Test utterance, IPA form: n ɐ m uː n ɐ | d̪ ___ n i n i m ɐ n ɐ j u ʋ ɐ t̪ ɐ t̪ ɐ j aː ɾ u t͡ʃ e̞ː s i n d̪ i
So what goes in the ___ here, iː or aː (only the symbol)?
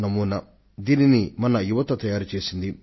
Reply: iː